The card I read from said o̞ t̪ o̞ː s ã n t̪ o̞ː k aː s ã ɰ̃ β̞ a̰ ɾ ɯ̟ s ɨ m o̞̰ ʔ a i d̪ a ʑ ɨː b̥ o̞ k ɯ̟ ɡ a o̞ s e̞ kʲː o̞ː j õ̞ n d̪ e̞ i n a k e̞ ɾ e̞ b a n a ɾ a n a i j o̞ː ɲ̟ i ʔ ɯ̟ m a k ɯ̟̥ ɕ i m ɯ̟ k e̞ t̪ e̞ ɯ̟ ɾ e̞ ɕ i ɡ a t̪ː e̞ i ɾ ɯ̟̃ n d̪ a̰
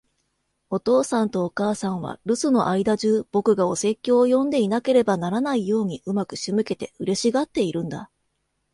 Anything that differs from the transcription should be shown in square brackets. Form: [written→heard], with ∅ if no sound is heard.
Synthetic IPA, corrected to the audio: o̞ t̪ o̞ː s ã n t̪ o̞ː k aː s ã ɰ̃ β̞ a̰ ɾ ɯ̟ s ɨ [m→n] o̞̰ ʔ a i d̪ a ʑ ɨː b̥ o̞ k ɯ̟ ɡ a o̞ s e̞ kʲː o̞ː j õ̞ n d̪ e̞ i n a k e̞ ɾ e̞ b a n a ɾ a n a i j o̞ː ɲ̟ i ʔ ɯ̟ m a k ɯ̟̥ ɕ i m ɯ̟ k e̞ t̪ e̞ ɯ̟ ɾ e̞ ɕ i ɡ a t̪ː e̞ i ɾ ɯ̟̃ n d̪ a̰